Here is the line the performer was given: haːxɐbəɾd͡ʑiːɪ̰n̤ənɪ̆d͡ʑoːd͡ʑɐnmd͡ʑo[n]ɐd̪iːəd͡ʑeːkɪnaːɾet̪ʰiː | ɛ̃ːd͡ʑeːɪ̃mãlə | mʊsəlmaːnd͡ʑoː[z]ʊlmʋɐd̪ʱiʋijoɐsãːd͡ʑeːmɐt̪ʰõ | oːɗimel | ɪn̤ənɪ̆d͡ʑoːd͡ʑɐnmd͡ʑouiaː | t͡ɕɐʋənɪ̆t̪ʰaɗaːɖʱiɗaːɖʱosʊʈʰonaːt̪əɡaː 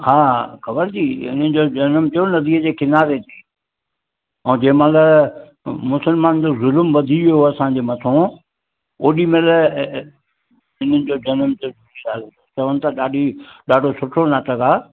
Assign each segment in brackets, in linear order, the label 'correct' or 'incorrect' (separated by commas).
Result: correct, correct